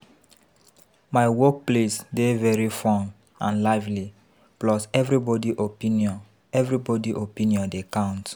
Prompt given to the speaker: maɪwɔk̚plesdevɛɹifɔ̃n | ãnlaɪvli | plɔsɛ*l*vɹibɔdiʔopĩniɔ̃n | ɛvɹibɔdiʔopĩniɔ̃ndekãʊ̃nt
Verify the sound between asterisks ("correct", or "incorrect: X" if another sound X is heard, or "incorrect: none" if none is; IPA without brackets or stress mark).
incorrect: none